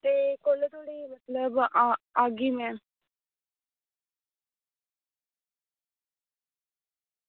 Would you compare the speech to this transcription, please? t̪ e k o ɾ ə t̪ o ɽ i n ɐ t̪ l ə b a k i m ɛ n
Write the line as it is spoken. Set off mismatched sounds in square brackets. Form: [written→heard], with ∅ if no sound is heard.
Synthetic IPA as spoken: t̪ e k o [ɾ→l] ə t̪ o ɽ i [n→m] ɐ t̪ l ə b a [k→ɡ] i m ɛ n